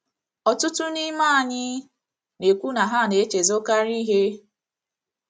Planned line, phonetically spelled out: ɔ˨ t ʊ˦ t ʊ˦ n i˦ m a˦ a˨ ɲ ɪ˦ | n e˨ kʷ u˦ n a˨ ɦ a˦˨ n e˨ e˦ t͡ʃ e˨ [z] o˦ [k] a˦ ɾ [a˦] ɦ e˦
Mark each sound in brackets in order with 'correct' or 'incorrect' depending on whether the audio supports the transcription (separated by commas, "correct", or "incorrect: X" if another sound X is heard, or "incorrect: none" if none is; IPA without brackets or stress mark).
correct, correct, incorrect: i˦